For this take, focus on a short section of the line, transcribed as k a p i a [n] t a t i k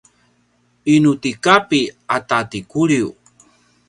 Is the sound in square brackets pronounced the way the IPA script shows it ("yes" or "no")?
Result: no